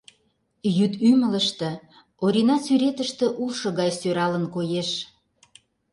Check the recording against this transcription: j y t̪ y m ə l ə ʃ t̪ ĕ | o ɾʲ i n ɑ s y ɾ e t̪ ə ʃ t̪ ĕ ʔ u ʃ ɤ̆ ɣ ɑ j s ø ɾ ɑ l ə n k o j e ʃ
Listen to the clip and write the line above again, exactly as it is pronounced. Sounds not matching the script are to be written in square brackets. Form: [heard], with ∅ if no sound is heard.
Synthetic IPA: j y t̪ y m ə l ə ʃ t̪ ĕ | o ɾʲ i n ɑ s y ɾ e t̪ ə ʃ t̪ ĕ ʔ u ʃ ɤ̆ ɣ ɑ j s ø ɾ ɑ l ə n k o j e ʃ